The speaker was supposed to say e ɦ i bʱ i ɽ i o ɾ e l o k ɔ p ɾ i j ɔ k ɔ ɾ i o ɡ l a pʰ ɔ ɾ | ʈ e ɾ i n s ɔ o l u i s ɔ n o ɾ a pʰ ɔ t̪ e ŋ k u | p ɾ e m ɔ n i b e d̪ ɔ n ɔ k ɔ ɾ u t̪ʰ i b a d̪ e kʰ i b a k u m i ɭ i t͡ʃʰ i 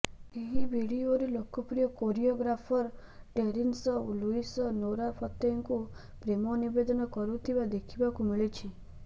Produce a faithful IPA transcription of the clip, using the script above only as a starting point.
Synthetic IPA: e ɦ i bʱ i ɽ i o ɾ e l o k ɔ p ɾ i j ɔ k o ɾ i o ɡ ɾ a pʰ ɔ ɾ | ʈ e ɾ i n s ɔ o l u i s ɔ n o ɾ a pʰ ɔ t̪ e ŋ k u | p ɾ e m ɔ n i b e d̪ ɔ n ɔ k ɔ ɾ u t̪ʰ i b a d̪ e kʰ i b a k u m i ɭ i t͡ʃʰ i